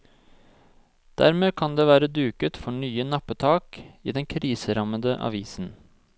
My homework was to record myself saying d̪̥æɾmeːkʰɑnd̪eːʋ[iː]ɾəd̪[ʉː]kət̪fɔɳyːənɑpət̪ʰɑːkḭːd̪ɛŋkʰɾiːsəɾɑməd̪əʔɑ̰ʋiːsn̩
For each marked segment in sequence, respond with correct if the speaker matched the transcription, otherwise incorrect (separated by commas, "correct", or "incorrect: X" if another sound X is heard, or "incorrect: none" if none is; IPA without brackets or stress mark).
incorrect: æː, correct